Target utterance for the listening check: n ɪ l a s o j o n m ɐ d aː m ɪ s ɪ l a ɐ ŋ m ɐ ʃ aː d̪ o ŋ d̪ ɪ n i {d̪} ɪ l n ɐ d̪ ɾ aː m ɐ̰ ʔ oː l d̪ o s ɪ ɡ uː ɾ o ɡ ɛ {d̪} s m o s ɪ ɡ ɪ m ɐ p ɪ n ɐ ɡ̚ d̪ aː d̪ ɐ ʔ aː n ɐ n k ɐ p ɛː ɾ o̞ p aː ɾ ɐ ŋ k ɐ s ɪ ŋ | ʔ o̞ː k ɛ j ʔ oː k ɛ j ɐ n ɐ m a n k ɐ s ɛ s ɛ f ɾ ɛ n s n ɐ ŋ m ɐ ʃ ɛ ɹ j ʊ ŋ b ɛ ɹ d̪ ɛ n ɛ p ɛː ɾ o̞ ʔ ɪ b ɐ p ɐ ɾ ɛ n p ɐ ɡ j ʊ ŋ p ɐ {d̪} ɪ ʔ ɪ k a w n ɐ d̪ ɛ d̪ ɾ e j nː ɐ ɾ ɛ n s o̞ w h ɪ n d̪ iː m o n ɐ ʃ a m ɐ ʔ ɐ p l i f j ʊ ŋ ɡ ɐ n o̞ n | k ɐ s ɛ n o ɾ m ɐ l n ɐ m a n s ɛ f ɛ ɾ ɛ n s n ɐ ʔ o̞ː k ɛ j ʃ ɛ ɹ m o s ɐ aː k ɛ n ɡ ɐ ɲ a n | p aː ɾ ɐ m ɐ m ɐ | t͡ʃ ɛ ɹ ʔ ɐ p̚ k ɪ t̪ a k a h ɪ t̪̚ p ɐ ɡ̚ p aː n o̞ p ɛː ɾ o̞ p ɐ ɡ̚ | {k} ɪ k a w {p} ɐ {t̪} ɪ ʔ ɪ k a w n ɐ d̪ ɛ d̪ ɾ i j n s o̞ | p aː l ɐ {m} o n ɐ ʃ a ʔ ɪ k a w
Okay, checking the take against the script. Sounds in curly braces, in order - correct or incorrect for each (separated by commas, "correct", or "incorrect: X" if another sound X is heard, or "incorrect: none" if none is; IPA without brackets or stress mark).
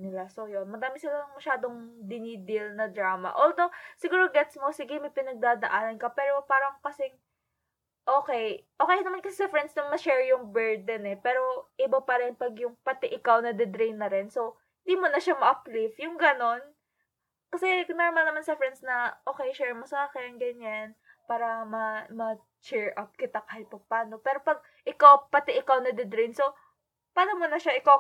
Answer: correct, incorrect: t̪, incorrect: t̪, incorrect: ʔ, correct, correct, correct